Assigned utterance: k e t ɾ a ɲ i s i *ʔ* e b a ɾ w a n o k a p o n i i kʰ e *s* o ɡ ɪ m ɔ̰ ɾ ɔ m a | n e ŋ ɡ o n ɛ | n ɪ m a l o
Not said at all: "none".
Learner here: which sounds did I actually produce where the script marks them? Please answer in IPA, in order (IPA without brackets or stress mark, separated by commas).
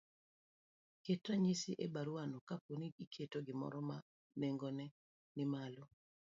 ʔ, t